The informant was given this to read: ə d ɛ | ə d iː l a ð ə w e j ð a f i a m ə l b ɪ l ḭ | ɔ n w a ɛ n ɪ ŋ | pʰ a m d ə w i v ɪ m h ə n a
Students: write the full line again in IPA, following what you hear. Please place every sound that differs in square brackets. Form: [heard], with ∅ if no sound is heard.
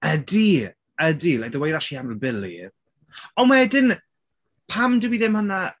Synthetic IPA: ə d [i] | ə d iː l a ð ə w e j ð a [ʃ] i a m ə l b ɪ l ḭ | ɔ n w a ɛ [d] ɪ [n] | pʰ a m d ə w i [ð] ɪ m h ə n a